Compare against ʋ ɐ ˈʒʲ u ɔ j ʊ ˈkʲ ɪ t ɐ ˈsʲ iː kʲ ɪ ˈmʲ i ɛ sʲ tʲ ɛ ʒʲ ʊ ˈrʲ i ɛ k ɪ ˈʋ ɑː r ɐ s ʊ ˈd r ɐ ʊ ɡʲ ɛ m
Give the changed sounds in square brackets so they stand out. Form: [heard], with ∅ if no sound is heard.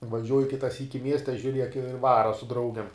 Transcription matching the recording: ʋ ɐ ˈʒʲ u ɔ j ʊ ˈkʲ ɪ t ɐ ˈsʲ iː kʲ ɪ ˈmʲ i ɛ sʲ tʲ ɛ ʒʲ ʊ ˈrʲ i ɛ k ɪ ˈʋ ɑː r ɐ s ʊ ˈd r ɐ ʊ ɡʲ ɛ m